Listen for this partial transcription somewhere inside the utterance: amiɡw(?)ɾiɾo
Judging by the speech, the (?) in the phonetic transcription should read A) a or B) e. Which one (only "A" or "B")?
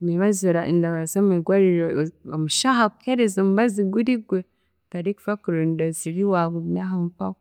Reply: A